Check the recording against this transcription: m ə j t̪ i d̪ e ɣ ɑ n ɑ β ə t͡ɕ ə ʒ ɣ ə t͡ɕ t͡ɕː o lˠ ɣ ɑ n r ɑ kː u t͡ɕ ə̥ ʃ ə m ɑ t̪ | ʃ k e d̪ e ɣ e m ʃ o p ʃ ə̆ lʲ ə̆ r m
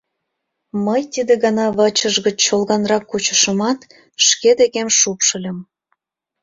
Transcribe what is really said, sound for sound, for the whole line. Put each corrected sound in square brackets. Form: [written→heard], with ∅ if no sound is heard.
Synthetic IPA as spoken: m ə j t̪ i d̪ e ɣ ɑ n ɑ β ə t͡ɕ ə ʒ ɣ ə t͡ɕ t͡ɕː o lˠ ɣ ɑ n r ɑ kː u t͡ɕ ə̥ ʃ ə m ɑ t̪ | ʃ k e d̪ e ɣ e m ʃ [o→u] p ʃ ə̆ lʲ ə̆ [r→∅] m